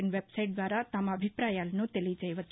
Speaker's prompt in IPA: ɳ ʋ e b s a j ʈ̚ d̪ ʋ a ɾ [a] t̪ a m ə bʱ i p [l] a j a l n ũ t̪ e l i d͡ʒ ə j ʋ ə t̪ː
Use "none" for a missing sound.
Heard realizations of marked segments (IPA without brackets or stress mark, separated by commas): a, ɾ